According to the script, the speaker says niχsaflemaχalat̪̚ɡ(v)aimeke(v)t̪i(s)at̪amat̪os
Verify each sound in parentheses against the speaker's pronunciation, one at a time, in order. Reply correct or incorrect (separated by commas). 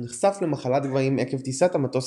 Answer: correct, correct, correct